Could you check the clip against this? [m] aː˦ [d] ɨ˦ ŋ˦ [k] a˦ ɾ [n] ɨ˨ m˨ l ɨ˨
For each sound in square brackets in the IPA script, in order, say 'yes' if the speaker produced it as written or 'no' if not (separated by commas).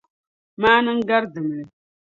yes, no, no, no